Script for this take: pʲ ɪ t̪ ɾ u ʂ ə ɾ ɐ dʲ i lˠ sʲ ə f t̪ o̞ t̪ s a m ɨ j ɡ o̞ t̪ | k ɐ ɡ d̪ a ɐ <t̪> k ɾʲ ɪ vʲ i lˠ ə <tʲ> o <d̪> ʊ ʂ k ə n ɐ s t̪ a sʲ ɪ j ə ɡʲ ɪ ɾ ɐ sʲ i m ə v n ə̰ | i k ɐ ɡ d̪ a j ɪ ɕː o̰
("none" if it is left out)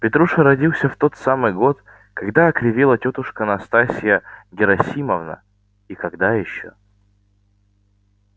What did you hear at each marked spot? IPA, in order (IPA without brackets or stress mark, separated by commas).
none, tʲ, t̪